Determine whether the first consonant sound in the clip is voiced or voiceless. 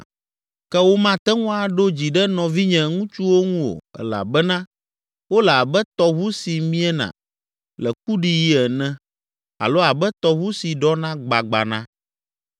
voiceless